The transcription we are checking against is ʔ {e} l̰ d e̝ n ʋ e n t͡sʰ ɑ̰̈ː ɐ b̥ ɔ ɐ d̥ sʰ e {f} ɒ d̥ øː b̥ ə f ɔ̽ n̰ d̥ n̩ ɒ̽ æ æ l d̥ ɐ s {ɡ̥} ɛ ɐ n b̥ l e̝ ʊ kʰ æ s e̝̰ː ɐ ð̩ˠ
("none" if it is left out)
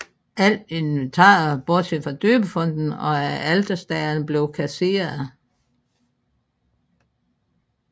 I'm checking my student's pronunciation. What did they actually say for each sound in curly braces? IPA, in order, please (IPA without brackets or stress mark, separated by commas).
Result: æ, f, d̥